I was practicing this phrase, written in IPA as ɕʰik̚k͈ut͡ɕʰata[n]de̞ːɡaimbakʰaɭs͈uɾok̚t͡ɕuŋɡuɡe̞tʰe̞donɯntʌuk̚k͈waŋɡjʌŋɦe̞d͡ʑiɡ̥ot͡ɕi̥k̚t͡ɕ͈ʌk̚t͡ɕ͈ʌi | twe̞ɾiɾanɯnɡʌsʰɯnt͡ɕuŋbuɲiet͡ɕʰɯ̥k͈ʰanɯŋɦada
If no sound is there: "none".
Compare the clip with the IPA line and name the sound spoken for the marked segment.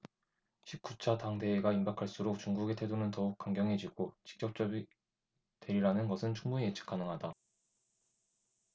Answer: ŋ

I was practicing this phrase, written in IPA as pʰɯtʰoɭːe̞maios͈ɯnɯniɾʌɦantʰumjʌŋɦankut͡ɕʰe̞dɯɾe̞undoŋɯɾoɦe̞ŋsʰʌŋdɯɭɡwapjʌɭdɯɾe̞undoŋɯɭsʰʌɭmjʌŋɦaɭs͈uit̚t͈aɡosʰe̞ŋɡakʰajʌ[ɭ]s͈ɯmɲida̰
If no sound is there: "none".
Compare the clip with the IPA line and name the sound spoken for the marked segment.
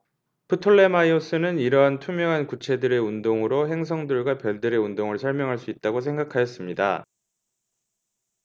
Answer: none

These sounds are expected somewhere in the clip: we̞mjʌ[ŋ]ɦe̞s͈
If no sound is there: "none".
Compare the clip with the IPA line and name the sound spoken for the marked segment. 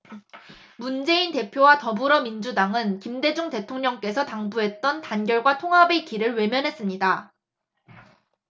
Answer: n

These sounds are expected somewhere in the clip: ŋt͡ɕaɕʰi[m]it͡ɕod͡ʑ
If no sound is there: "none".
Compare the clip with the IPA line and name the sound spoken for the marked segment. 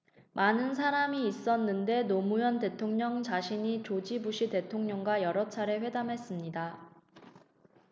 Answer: ɲ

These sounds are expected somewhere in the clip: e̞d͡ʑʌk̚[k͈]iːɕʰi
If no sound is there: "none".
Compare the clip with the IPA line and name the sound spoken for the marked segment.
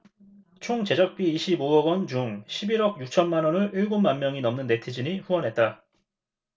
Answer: p͈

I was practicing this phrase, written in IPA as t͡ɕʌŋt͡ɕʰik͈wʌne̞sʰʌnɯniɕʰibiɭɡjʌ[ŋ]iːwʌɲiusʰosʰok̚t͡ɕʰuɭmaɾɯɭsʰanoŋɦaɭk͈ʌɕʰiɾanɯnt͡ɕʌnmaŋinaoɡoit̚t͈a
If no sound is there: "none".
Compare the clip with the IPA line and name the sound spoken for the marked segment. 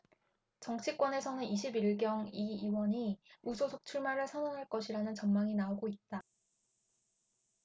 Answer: ŋ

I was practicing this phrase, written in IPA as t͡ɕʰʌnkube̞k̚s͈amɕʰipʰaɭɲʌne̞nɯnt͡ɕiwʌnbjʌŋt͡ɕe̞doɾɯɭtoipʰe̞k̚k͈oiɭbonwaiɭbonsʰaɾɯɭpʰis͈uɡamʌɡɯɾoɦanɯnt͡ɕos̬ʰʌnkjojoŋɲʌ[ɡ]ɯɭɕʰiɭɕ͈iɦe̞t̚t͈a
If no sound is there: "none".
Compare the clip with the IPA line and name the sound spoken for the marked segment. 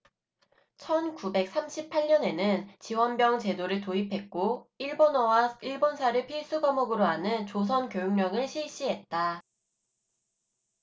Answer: ŋ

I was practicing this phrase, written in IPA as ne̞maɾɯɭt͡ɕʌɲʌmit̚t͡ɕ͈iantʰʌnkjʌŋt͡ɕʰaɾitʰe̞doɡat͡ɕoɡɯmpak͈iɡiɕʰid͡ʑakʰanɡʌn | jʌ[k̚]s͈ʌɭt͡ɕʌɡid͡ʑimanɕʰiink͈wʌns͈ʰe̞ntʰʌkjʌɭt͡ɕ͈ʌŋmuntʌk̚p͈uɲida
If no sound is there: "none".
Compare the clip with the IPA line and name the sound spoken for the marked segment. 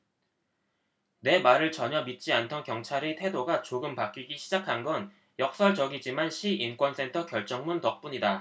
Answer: k̚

